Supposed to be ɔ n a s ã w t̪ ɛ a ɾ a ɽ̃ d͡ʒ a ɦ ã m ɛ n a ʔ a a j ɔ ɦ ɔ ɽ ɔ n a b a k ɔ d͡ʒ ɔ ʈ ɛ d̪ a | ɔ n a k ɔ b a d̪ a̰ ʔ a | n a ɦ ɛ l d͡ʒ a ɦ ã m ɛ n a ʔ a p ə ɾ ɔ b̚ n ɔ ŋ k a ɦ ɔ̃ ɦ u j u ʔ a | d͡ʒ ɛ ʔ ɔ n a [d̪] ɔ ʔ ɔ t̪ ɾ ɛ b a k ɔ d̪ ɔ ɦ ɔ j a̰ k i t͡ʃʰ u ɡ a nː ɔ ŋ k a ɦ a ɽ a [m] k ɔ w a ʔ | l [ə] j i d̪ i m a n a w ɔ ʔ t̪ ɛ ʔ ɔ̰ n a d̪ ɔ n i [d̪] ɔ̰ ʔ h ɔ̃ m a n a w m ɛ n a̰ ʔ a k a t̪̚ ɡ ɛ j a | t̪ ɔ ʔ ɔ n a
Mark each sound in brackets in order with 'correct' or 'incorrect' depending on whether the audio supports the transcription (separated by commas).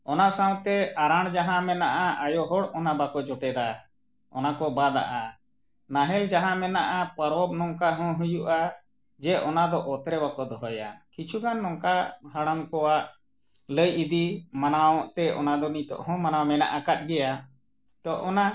correct, correct, correct, incorrect